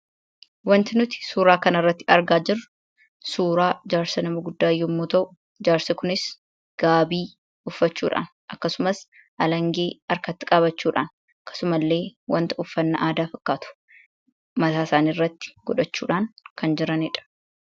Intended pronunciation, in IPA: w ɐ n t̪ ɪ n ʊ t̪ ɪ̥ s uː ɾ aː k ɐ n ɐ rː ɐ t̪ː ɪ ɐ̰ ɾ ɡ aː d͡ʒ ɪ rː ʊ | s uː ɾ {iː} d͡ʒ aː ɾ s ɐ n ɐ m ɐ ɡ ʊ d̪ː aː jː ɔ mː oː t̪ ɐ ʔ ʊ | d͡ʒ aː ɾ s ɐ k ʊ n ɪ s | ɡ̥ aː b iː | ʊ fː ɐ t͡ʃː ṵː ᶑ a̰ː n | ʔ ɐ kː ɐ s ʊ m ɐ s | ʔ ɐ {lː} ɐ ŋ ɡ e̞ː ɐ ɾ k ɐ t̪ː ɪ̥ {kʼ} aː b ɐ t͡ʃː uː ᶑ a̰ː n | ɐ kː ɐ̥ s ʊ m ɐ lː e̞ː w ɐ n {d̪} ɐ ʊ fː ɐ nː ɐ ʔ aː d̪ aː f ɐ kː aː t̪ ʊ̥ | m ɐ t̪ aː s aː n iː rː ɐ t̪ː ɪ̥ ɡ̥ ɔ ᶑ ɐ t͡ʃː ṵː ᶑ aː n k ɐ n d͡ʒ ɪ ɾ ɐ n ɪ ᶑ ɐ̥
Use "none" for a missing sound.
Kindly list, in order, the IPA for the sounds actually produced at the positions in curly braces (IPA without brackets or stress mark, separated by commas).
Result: aː, l, kʼ, t̪